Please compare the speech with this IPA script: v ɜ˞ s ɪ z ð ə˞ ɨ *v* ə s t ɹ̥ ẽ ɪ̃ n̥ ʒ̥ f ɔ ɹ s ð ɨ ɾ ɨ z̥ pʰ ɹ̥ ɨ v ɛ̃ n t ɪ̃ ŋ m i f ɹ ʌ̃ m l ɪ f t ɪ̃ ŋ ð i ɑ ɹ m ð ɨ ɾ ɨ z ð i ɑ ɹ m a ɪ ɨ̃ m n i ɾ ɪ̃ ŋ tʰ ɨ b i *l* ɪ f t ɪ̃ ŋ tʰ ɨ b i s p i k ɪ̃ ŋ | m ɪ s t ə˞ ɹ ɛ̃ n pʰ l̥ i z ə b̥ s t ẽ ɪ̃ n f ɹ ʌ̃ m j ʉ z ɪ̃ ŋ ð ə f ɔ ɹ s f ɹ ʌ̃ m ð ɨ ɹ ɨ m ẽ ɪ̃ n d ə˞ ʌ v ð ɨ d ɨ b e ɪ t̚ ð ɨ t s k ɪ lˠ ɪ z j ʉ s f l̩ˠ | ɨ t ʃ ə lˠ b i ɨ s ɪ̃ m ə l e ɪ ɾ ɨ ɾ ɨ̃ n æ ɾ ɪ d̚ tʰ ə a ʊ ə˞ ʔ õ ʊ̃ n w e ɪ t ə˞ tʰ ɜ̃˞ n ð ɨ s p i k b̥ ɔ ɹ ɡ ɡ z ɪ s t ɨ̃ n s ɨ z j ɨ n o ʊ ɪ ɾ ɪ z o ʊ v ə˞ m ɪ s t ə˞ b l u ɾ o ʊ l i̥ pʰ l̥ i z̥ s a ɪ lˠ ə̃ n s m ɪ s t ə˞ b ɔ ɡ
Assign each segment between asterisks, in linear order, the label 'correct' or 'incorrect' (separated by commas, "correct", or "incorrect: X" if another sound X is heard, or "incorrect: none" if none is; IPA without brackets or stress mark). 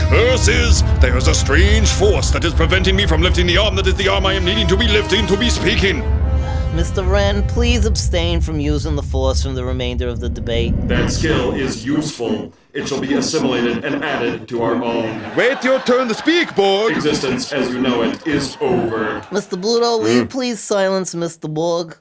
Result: incorrect: z, correct